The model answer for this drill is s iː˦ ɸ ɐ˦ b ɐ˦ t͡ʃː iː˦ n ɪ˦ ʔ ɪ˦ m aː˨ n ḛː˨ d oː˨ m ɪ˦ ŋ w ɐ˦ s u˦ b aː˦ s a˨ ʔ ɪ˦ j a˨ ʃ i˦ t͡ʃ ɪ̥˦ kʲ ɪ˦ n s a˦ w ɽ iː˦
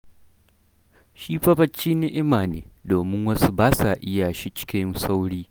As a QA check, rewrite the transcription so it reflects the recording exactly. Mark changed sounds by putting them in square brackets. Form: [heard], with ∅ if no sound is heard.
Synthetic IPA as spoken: [ʃ] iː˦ ɸ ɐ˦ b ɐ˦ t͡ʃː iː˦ n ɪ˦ ʔ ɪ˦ m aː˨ n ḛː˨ d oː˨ m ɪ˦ ŋ w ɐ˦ s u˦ b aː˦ s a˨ ʔ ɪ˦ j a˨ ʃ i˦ t͡ʃ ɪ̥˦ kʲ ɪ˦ n s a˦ w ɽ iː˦